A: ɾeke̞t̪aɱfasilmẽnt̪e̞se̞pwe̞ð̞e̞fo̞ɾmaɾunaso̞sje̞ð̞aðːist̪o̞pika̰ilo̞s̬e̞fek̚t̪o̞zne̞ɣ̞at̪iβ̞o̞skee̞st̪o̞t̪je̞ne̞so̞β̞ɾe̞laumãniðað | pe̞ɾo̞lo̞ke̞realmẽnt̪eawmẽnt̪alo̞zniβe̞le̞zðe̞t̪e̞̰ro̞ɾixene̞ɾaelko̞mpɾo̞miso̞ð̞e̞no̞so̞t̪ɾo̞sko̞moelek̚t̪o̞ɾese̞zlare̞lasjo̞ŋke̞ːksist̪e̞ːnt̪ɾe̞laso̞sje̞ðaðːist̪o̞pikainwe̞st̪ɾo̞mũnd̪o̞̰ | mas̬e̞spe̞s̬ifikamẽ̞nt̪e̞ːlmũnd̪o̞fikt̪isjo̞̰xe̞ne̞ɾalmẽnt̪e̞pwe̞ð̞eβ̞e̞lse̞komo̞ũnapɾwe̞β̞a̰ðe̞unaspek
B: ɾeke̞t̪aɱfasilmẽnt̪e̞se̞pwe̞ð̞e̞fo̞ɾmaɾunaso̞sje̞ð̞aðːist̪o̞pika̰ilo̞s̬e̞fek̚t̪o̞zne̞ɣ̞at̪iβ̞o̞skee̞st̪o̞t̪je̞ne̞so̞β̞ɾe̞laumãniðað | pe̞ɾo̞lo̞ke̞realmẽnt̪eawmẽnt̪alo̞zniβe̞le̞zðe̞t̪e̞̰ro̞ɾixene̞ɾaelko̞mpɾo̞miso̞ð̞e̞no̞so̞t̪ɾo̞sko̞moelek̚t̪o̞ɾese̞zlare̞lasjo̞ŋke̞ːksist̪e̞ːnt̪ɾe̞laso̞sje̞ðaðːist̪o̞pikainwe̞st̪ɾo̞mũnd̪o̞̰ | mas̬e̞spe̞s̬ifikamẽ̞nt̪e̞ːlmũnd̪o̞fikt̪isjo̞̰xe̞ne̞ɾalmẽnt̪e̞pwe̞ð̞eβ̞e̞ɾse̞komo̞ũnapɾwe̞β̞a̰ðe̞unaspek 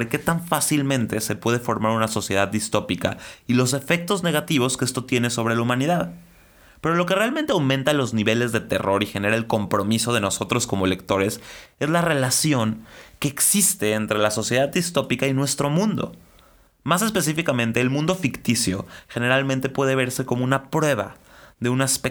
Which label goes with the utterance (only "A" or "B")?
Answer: B